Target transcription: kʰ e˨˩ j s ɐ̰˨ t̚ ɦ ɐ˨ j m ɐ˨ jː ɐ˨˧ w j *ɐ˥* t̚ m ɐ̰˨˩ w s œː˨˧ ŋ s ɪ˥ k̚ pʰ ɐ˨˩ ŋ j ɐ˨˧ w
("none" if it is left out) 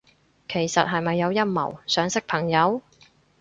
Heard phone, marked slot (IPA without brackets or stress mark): ɐ˥